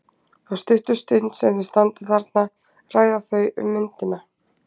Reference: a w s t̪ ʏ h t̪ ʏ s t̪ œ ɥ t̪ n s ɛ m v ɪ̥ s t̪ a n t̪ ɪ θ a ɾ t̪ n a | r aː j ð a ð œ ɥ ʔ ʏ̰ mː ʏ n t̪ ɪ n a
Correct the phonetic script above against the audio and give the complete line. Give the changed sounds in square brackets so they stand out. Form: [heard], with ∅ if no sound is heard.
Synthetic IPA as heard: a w s t̪ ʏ h t̪ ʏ s t̪ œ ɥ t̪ n s ɛ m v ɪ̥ s t̪ a n t̪ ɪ θ a ɾ t̪ n a | r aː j ð a [θ] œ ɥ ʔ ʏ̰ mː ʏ n t̪ ɪ n a